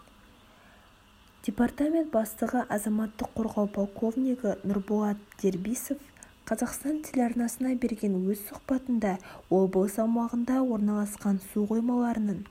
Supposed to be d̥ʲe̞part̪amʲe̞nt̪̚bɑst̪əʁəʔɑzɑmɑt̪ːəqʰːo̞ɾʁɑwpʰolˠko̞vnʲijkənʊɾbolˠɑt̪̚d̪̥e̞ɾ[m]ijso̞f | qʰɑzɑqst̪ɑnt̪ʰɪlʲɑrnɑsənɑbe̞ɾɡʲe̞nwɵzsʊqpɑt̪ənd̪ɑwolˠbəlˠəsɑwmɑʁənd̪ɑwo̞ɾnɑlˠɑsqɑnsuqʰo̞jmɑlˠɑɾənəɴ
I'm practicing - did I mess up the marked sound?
yes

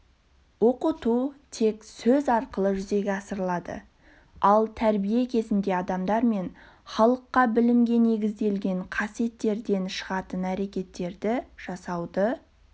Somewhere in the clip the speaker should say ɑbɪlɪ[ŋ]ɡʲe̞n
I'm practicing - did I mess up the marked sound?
yes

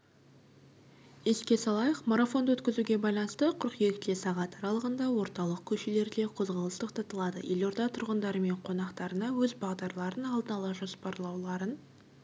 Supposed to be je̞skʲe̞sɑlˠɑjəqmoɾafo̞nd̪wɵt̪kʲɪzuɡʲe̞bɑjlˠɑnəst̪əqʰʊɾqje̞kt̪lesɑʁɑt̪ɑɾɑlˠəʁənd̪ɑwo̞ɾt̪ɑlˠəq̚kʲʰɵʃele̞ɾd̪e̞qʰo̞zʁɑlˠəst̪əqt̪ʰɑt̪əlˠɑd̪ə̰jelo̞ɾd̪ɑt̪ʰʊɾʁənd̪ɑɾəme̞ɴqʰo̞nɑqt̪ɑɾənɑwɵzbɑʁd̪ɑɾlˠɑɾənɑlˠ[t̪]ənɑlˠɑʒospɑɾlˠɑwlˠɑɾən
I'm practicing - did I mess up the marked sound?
yes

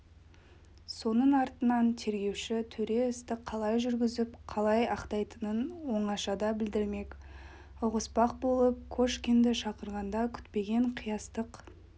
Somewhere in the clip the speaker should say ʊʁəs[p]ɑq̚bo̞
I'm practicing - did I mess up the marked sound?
no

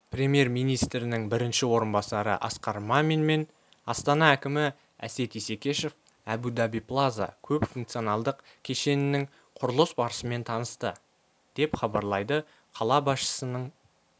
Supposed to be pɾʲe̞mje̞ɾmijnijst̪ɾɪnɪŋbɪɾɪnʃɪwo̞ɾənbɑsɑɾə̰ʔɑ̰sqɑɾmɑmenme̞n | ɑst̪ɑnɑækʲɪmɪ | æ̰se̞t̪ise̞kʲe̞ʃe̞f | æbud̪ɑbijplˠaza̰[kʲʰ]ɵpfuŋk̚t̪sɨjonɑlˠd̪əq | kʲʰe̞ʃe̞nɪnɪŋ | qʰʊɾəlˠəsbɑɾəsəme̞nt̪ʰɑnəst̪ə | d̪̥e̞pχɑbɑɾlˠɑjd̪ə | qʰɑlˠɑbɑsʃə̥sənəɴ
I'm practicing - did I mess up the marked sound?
no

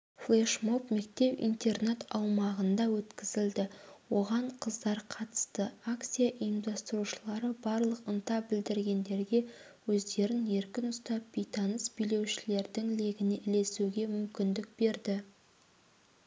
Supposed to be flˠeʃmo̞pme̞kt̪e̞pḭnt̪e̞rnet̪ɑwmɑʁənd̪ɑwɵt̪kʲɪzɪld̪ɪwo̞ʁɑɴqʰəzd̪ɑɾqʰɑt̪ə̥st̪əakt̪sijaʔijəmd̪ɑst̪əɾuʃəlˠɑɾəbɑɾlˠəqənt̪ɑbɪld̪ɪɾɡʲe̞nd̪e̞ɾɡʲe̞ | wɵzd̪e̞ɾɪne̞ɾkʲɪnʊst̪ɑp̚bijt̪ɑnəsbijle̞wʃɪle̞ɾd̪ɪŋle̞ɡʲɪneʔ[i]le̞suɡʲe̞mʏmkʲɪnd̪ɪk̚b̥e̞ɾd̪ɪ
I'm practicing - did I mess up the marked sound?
yes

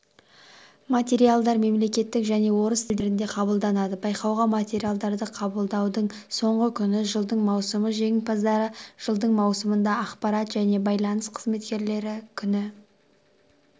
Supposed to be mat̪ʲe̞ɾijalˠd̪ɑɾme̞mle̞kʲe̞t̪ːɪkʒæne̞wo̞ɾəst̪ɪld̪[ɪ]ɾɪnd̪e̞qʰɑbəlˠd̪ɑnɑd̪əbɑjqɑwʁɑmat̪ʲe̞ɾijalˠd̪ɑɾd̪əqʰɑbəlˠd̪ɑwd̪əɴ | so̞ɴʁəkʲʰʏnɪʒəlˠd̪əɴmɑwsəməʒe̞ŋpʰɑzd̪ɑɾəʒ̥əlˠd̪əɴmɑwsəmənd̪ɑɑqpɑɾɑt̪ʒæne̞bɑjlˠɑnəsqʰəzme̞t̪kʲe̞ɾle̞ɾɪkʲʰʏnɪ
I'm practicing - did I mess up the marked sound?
no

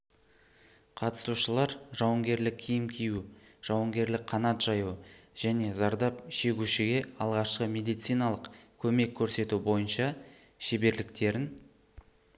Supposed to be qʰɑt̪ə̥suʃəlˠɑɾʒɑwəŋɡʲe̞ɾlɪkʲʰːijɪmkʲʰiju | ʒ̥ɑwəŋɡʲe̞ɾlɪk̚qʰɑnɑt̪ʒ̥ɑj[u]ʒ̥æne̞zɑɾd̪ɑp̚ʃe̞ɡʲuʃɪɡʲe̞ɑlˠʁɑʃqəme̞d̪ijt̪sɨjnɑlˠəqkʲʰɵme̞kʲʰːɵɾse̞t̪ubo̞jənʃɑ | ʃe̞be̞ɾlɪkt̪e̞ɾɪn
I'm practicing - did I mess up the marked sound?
no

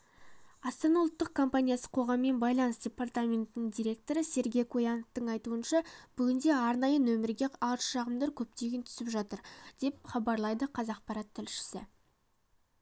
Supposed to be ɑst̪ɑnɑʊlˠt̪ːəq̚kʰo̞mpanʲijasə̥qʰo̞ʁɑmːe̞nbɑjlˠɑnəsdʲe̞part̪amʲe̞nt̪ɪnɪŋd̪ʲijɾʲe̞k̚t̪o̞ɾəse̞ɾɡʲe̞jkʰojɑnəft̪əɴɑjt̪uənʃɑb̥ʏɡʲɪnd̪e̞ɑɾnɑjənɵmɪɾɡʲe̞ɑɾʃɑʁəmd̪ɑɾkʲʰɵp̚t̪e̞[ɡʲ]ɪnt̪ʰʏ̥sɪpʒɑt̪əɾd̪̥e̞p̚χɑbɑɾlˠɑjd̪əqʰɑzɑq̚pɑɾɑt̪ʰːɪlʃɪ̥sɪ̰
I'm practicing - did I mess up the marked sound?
no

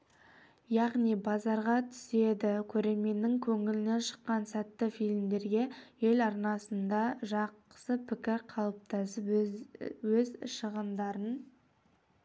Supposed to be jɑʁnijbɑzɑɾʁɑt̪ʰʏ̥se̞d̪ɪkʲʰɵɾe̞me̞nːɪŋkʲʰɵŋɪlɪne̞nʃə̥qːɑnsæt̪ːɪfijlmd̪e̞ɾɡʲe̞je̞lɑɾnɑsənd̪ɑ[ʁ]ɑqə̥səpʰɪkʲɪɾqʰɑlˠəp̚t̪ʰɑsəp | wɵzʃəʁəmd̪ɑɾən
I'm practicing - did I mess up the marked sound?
yes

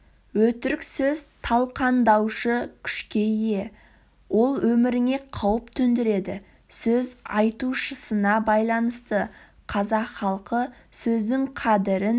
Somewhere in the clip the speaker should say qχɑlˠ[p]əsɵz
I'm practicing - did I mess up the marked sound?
yes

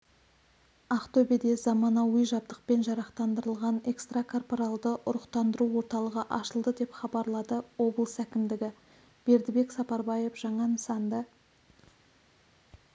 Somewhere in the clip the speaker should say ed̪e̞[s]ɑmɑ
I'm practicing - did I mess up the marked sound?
yes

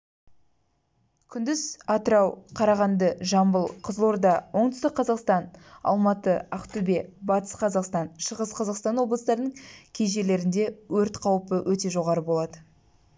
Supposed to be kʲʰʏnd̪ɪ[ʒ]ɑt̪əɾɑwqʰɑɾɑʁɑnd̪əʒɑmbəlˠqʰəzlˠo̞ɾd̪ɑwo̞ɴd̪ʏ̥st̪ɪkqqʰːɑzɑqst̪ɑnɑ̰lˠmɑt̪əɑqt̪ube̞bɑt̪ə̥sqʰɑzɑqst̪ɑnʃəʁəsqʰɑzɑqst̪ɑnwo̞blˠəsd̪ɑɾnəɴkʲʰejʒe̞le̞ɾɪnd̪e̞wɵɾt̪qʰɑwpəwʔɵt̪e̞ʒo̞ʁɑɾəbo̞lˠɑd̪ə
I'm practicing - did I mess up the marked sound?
yes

